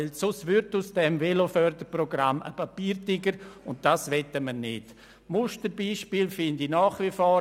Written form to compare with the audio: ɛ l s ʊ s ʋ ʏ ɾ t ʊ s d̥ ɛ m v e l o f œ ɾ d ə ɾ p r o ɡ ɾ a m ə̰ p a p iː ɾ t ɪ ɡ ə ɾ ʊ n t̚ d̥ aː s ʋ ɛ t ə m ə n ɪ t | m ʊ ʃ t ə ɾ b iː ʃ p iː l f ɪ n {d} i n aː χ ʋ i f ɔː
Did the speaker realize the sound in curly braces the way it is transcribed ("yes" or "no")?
yes